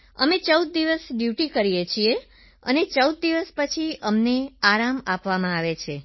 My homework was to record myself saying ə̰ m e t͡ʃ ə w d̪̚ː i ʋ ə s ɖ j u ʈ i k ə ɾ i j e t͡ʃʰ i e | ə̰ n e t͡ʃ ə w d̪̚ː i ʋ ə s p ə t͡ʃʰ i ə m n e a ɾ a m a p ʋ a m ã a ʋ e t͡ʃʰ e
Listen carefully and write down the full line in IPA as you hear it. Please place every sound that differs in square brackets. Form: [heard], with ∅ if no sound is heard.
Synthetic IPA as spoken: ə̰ m e t͡ʃ ə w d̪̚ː i ʋ ə s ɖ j u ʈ i k ə ɾ i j e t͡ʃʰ i e | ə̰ n e t͡ʃ ə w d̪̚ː i ʋ ə s p ə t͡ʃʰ i ə m n e a ɾ a m a p ʋ a m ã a ʋ e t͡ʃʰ e